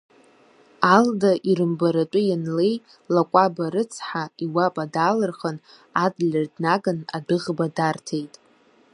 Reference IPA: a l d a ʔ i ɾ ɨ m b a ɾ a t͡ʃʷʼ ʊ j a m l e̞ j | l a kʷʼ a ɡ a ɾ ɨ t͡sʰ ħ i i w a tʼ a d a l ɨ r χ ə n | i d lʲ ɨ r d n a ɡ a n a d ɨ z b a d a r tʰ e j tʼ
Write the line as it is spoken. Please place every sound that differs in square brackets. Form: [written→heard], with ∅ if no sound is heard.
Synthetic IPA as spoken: a l d a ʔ i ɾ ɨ m b a ɾ a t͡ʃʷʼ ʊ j a [m→n] l e̞ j | l a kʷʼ a [ɡ→b] a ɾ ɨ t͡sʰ ħ [i→a] i w a [tʼ→pʼ] a d a l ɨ r χ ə n | [i→a] d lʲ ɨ r d n a ɡ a n a d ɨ [z→ʁ] b a d a r tʰ e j tʼ